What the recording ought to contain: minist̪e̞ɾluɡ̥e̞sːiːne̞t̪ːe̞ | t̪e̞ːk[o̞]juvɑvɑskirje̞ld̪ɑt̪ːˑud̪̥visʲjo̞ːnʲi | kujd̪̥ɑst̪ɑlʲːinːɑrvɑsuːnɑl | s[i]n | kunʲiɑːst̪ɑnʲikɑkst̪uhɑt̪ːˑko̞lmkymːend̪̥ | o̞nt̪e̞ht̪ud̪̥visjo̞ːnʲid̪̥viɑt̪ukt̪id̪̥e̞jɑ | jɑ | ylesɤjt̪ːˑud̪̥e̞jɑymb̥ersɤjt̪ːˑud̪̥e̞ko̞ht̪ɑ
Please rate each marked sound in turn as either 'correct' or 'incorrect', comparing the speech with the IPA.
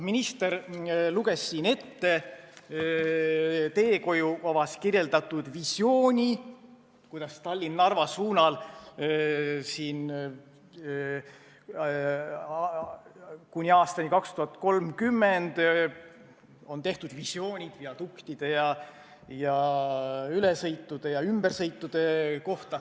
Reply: correct, incorrect: iː

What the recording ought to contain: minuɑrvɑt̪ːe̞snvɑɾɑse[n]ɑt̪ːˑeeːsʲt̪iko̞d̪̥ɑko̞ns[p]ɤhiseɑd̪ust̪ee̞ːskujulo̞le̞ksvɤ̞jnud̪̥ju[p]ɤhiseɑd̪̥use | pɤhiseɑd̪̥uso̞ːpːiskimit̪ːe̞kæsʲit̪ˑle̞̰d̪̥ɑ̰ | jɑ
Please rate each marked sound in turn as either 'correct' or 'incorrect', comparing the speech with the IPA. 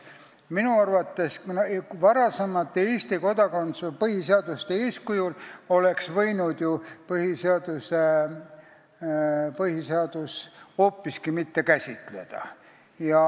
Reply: incorrect: m, correct, correct

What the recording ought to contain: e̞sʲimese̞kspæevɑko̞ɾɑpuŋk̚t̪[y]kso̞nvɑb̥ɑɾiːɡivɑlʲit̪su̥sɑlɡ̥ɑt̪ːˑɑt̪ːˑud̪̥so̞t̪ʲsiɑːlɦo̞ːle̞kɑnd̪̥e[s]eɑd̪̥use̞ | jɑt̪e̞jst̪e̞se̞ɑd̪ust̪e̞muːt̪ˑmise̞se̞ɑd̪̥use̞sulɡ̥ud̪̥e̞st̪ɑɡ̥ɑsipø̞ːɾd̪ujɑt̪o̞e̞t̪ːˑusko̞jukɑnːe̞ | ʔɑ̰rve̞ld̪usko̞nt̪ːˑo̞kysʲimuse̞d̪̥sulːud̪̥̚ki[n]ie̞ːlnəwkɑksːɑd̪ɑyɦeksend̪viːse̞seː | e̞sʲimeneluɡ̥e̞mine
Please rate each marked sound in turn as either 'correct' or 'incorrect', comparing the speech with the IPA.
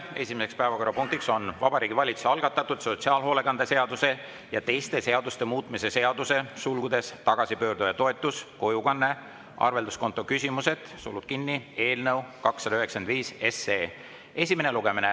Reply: incorrect: i, correct, incorrect: nː

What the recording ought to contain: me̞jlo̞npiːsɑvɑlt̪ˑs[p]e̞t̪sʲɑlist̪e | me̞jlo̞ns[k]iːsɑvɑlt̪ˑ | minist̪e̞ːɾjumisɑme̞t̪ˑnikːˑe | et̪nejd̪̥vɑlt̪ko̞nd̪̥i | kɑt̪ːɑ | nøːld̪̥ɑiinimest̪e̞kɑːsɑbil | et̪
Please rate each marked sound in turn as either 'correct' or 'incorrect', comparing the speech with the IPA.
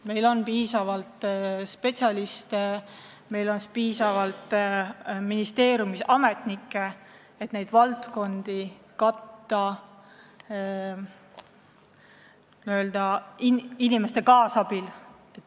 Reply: correct, incorrect: p

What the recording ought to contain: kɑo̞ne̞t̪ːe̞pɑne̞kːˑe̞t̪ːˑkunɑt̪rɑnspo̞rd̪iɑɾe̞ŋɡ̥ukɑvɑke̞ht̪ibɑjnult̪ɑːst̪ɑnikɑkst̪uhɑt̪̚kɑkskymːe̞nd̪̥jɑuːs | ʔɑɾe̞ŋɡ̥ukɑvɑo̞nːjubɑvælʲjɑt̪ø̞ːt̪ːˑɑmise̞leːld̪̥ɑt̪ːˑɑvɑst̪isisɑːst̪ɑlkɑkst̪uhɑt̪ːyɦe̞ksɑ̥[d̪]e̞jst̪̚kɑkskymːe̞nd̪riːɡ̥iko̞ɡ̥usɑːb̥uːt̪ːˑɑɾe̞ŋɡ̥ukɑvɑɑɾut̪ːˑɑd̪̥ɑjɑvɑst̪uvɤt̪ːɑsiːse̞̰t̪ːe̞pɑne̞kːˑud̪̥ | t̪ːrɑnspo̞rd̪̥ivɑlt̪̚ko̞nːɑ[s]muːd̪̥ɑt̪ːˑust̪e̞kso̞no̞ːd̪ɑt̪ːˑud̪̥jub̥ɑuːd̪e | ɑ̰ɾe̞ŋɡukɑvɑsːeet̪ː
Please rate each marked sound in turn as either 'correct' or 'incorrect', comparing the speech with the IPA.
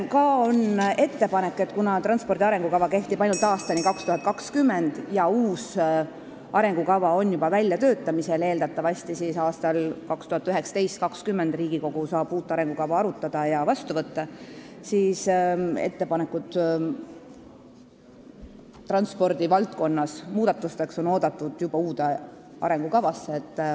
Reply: incorrect: t̪, correct

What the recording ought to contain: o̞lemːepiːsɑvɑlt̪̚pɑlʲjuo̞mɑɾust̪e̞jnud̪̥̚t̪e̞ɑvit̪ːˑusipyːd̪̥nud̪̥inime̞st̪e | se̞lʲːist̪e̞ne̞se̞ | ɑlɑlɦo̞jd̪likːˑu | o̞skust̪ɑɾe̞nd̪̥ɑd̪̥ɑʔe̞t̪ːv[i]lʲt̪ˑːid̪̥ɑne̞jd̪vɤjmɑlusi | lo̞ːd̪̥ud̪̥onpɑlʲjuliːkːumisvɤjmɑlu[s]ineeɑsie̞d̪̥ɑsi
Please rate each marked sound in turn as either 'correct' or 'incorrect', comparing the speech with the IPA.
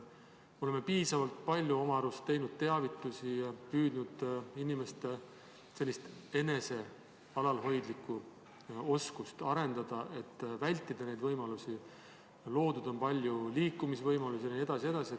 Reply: incorrect: æ, correct

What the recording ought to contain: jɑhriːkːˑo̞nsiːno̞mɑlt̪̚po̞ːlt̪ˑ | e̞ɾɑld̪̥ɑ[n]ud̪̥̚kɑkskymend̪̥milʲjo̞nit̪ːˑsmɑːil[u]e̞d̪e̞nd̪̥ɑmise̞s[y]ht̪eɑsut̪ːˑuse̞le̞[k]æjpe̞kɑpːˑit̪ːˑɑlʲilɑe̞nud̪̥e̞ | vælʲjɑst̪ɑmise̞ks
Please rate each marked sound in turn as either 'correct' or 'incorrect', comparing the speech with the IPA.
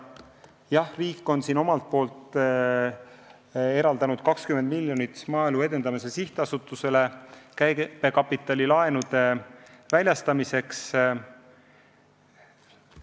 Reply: correct, correct, incorrect: i, correct

